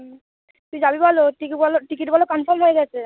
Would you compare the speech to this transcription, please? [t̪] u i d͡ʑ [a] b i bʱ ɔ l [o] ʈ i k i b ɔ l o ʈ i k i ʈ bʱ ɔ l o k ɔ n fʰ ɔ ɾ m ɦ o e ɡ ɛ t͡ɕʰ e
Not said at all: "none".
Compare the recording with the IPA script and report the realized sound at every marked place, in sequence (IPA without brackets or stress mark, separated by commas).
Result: t̪, a, o